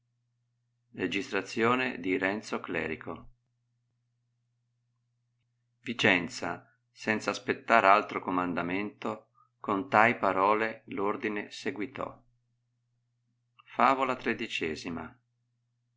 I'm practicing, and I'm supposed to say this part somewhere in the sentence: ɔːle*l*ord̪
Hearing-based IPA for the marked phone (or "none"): l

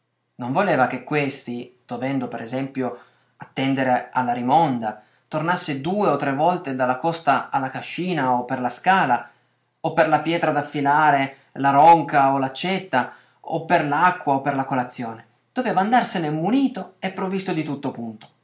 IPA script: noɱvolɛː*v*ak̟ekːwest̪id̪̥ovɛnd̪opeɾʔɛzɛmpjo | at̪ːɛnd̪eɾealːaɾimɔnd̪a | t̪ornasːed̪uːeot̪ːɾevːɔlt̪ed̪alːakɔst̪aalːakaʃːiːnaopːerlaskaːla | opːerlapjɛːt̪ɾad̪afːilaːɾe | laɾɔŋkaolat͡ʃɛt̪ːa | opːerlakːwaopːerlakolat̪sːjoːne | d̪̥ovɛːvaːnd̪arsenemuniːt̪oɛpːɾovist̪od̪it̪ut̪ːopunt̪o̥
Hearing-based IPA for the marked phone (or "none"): v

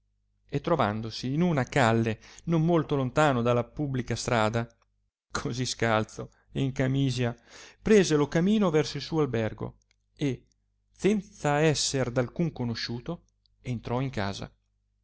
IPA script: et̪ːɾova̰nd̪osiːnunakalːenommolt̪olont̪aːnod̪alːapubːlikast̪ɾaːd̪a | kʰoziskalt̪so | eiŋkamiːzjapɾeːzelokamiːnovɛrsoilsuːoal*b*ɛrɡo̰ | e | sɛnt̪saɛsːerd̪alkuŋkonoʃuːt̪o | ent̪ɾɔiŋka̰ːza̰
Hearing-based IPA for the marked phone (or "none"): b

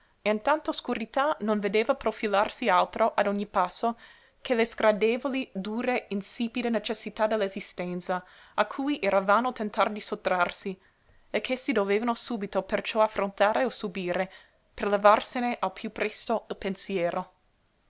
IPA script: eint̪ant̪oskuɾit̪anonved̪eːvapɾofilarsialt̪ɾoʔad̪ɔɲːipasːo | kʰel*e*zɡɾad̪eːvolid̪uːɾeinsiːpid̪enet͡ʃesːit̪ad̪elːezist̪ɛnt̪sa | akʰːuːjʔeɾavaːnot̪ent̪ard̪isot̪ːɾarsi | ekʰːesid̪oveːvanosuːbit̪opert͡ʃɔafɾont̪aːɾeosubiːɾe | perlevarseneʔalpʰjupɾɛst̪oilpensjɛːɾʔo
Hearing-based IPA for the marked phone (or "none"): e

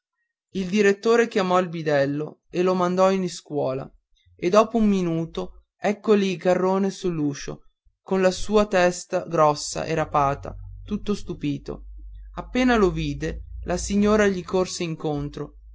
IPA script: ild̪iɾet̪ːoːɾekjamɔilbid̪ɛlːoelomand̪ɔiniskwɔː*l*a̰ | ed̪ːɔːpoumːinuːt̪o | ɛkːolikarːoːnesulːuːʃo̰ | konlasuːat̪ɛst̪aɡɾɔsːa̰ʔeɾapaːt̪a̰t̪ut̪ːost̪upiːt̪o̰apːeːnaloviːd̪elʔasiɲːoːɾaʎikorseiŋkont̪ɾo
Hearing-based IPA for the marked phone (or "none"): l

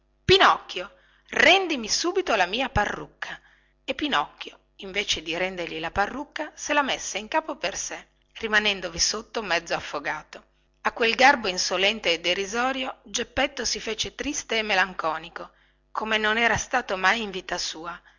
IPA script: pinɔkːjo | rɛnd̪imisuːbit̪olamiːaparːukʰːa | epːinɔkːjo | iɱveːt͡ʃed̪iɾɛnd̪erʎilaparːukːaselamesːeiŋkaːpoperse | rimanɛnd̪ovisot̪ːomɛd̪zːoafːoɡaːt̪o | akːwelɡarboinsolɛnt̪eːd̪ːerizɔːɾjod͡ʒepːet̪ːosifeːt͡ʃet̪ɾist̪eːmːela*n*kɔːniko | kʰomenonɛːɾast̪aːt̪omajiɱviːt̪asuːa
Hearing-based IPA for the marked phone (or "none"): ŋ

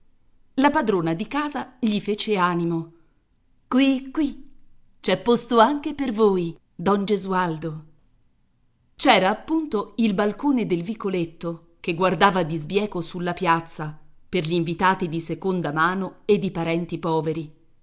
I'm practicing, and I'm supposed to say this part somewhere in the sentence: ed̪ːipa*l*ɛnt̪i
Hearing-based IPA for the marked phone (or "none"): ɾ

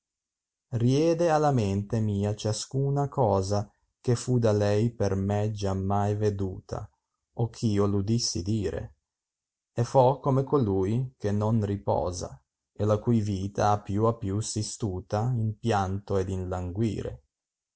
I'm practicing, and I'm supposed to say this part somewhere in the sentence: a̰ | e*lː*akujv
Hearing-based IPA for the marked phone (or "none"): l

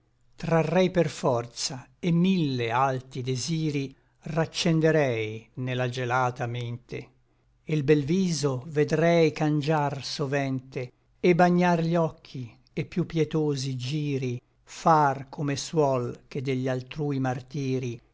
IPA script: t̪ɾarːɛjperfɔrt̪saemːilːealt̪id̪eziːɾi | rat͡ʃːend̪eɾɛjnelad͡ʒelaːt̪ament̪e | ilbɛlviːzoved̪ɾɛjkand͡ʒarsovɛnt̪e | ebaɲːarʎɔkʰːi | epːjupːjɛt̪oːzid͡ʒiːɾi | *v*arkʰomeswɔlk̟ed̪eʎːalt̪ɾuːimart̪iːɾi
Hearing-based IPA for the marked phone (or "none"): f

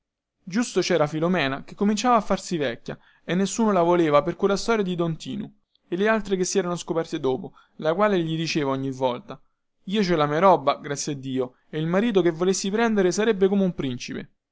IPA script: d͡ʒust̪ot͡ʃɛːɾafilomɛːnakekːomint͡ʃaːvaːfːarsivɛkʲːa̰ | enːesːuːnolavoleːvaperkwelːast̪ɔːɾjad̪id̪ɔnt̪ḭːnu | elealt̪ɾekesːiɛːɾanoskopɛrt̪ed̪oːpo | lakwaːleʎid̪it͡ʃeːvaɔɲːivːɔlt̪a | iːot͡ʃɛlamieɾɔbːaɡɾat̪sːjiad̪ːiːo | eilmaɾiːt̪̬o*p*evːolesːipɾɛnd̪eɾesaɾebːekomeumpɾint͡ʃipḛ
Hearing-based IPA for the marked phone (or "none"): k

